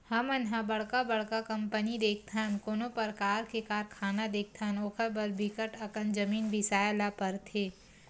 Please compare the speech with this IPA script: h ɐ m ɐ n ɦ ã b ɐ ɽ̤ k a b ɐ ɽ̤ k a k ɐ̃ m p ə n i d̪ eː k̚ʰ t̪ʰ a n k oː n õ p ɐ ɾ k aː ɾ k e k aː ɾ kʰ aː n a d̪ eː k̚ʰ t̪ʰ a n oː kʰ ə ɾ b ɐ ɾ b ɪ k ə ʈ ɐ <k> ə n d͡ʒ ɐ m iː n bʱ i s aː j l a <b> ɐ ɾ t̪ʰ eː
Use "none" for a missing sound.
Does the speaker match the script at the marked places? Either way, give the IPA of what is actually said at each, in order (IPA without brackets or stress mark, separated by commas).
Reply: k, p